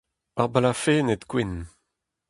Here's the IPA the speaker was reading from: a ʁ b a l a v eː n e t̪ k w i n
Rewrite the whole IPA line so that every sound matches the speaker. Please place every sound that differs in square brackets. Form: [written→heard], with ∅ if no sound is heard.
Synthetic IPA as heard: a ʁ b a l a [v→f] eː n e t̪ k w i n

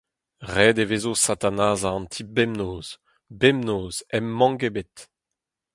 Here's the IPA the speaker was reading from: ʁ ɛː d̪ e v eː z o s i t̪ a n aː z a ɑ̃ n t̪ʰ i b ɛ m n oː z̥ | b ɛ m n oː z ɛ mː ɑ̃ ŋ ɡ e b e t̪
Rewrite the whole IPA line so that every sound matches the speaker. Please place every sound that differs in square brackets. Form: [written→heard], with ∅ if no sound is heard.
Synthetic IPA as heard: ʁ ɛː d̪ e v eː z o s [i→a] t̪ a n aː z a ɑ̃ n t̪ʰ i b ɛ m n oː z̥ | b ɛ m n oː z ɛ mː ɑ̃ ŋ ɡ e b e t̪

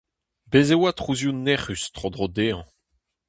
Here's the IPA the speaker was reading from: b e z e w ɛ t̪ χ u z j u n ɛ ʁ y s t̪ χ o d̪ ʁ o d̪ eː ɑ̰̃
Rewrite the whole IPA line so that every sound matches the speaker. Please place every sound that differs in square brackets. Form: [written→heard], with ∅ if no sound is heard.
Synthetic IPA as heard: b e z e w [ɛ→a] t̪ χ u z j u n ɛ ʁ y s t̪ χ o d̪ ʁ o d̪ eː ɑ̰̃

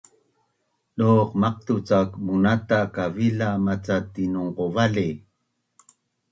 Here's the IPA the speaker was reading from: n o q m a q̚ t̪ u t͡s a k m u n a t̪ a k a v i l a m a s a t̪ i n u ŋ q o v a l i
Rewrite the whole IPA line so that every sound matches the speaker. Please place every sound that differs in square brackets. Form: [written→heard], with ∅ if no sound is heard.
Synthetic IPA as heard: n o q m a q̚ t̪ u t͡s a k m u n a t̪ a k a v i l a m a [s→t͡s] a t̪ i n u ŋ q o v a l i

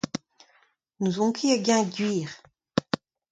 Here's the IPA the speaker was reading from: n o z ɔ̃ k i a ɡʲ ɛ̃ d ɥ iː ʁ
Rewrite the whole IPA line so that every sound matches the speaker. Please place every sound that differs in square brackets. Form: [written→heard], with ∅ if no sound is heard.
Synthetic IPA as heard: n [o→u] z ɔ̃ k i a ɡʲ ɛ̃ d ɥ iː ʁ

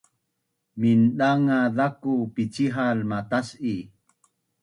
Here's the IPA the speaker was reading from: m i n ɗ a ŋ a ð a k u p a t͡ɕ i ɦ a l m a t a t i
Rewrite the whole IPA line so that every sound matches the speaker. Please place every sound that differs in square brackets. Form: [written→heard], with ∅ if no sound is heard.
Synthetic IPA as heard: m i n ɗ a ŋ a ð a k u p [a→i] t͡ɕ i ɦ a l m a t a [t→s] i

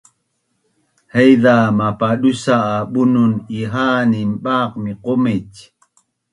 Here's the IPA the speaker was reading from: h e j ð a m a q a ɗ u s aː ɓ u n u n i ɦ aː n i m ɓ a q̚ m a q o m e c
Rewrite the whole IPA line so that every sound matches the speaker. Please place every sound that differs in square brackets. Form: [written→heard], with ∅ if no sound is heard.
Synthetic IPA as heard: h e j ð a m a [q→p] a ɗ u s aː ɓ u n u n i ɦ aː n i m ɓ a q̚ m [a→i] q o m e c

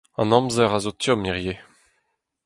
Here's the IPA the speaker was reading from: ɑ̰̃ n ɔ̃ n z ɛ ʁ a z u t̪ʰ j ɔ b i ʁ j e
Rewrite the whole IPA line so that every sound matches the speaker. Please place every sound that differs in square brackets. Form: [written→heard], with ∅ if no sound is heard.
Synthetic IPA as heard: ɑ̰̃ n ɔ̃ [n→m] z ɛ ʁ a z [u→o] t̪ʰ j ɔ [b→m] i ʁ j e

